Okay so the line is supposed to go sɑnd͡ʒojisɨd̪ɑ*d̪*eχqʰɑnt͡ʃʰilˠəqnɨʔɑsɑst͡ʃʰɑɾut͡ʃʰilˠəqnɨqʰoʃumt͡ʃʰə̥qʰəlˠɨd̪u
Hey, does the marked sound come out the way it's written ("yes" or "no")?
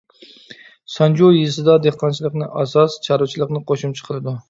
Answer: yes